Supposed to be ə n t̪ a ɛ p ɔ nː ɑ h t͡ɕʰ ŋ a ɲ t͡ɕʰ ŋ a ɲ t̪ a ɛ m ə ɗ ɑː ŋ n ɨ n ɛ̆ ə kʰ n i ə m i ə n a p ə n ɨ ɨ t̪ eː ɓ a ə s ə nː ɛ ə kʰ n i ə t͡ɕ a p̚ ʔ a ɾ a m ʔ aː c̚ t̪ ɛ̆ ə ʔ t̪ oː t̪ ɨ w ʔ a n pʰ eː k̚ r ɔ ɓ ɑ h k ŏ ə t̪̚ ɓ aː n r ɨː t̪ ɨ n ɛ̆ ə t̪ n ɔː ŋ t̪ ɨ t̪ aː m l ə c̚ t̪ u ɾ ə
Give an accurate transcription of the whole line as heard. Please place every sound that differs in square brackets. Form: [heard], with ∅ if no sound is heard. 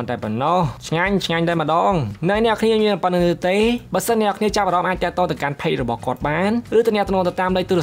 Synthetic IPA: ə n t̪ a ɛ p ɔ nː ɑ h t͡ɕʰ ŋ a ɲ t͡ɕʰ ŋ a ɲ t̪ a ɛ m ə ɗ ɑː ŋ n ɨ n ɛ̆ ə kʰ n i ə m i ə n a p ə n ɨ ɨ t̪ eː ɓ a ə s ə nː ɛ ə kʰ n i ə t͡ɕ a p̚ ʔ a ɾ [ɑ] m ʔ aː c̚ t̪ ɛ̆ ə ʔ t̪ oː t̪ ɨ w [k] a n pʰ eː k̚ r ɔ ɓ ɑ h k ŏ ə t̪̚ ɓ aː n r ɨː t̪ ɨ n ɛ̆ ə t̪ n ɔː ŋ t̪ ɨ t̪ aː m l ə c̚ t̪ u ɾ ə